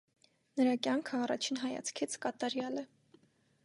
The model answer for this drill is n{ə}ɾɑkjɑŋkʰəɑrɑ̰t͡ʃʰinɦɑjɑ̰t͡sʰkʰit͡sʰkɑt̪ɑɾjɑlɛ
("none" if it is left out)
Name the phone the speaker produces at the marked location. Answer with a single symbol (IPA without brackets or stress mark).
ə